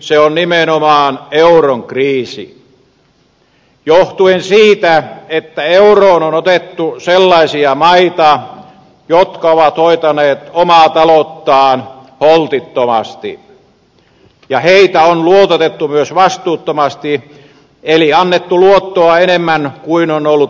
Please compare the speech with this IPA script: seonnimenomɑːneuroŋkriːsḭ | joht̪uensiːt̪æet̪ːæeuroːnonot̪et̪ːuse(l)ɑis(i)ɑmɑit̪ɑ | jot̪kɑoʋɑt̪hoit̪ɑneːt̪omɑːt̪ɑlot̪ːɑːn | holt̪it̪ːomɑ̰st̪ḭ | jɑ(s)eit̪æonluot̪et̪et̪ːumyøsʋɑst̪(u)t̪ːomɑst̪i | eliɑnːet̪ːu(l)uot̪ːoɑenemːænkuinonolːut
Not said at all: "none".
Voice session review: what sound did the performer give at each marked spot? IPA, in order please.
lː, i, h, uː, l

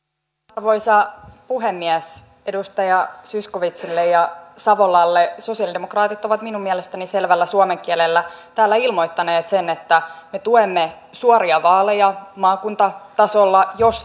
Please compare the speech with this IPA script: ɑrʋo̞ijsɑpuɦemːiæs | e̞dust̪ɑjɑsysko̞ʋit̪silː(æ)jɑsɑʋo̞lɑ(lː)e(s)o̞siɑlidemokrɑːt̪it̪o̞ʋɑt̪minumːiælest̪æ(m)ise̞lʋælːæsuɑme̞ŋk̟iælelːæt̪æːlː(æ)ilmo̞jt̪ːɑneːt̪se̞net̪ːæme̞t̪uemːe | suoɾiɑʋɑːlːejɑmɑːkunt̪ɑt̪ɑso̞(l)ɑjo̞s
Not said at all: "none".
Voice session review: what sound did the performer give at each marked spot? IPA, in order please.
e, lː, s, n, æ, lː

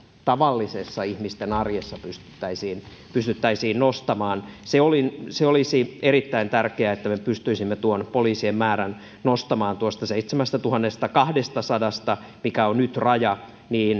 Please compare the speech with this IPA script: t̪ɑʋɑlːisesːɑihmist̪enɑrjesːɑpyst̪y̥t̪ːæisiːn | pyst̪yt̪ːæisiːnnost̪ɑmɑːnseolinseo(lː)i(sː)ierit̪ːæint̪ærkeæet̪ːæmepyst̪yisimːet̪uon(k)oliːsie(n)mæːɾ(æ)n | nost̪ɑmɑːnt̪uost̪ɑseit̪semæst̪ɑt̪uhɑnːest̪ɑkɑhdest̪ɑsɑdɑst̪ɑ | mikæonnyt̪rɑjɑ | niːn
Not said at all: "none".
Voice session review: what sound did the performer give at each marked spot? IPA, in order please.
l, s, p, m, æ

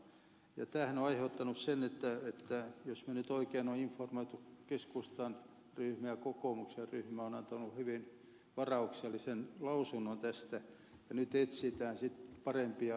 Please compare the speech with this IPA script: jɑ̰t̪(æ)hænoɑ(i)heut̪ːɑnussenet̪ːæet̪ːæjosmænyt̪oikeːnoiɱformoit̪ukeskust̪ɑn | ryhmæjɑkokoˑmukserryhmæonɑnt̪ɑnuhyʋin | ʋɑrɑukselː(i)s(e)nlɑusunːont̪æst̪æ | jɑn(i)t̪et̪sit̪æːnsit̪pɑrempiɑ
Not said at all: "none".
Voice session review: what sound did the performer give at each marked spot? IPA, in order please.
æː, i, i, e, y

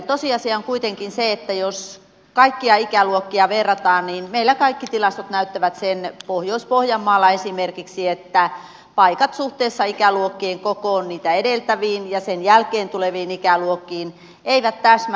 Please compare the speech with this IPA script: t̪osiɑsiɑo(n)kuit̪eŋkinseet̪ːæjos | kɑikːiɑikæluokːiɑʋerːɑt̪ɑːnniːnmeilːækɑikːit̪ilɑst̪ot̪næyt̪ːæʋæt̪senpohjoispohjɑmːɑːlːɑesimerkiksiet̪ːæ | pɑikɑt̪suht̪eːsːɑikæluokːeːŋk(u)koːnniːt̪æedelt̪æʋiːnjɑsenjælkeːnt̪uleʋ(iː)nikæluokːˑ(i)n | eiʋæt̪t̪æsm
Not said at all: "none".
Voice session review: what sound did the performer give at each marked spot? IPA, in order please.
ŋ, o, iː, iː

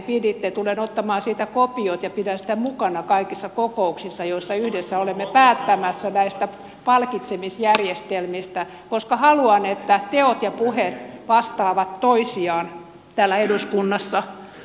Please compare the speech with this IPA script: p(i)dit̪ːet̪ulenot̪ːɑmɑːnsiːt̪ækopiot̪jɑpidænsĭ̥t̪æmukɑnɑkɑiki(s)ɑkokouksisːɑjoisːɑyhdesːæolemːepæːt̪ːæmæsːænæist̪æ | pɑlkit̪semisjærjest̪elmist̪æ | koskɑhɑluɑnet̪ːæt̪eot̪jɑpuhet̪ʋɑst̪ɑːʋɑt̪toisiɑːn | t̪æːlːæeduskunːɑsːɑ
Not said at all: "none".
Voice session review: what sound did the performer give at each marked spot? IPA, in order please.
i, sː

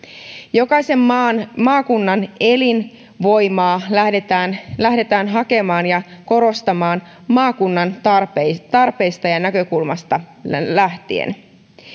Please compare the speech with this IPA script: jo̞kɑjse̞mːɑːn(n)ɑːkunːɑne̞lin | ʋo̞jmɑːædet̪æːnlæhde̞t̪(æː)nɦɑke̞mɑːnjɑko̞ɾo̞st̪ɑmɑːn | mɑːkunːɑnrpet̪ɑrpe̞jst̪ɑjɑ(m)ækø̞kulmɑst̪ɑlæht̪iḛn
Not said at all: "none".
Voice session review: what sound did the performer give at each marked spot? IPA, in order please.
m, æː, n

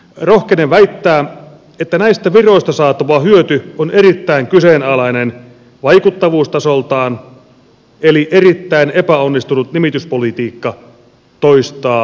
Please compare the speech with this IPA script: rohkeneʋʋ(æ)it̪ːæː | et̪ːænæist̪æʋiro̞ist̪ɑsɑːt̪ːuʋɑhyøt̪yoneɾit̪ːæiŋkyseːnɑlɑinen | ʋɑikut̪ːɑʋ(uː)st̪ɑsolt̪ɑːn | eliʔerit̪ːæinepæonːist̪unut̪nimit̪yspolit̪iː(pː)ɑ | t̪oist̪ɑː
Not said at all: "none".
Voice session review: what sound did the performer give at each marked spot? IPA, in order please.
æ, uː, kː

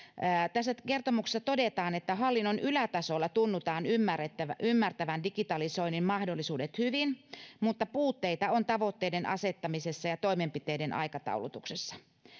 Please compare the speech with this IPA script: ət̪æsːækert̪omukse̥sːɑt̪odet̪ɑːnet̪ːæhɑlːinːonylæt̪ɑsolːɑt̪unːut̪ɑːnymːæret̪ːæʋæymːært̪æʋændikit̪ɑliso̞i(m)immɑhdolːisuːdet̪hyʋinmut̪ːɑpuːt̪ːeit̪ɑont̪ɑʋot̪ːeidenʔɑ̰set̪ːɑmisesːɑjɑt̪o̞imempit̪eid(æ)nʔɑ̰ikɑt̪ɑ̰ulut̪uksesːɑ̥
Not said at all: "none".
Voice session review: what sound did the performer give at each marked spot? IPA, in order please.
n, e

